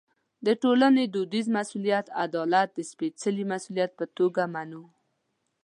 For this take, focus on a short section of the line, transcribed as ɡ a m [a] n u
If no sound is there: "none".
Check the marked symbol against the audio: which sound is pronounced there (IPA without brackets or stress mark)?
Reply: a